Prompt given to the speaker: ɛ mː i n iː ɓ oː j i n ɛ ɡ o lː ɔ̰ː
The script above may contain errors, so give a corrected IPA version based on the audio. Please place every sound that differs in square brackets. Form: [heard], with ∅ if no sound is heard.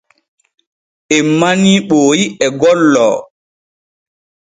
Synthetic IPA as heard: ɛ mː [a] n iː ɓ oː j i [∅] ɛ ɡ [ɔ] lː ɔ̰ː